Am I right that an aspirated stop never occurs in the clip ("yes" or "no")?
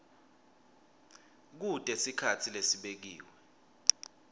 no